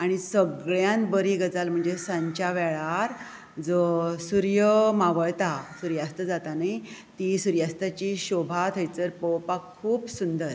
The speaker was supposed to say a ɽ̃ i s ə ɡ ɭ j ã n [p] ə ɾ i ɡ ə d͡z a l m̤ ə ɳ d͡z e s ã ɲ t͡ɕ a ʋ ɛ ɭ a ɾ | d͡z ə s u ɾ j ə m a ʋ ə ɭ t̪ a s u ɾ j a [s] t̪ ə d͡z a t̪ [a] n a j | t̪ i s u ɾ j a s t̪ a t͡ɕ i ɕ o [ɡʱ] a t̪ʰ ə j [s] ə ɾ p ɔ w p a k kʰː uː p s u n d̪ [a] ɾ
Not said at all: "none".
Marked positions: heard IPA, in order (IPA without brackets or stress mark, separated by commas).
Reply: b, s, a, bʱ, t͡s, ə